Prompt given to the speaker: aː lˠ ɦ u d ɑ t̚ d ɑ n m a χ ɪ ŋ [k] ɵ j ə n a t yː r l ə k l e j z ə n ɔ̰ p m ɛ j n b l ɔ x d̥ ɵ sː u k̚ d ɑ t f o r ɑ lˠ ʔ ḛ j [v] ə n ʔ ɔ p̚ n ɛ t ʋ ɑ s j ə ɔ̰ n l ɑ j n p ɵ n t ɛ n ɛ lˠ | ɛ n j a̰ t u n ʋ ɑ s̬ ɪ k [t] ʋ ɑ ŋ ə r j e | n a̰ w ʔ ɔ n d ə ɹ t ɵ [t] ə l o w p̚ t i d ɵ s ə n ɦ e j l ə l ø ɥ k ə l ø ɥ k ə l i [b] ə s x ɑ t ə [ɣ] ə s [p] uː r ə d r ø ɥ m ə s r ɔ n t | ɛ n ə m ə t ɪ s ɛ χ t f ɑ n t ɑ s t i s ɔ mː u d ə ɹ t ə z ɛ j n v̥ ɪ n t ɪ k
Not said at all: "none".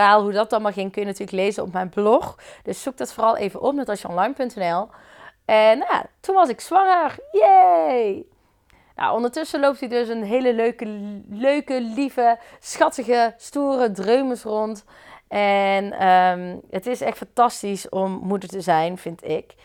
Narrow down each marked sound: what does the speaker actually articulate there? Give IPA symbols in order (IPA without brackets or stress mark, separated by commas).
k, v, s, s, v, ɣ, t